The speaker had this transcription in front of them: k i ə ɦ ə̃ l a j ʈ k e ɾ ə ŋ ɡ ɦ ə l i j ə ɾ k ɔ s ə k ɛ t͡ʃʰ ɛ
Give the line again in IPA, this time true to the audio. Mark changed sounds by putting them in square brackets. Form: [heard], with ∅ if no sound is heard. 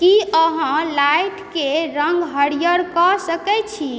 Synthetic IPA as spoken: k i ə ɦ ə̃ l a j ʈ k e ɾ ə ŋ ɡ ɦ ə [ɽ] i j ə ɾ k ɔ s ə k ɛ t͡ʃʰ [i]